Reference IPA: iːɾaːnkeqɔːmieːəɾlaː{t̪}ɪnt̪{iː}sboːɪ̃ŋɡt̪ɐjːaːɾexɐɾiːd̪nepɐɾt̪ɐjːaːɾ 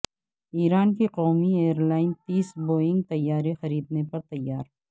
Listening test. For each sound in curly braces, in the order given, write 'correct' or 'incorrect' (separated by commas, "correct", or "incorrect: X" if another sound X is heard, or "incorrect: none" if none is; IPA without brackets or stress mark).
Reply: incorrect: none, correct